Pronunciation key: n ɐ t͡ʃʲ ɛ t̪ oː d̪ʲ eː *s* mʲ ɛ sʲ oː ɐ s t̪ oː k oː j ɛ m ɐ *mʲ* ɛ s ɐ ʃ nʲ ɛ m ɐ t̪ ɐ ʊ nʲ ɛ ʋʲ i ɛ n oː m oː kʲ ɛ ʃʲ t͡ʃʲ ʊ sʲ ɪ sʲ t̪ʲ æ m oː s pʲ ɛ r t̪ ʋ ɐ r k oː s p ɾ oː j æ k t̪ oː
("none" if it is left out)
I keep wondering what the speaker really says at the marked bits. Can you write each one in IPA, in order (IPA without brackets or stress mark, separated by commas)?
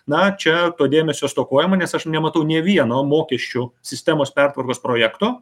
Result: none, nʲ